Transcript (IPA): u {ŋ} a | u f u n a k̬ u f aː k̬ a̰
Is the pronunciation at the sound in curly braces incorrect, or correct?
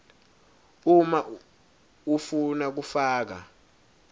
incorrect